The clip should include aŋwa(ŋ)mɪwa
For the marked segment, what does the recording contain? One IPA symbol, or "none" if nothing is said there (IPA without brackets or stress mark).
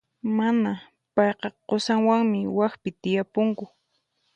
ŋ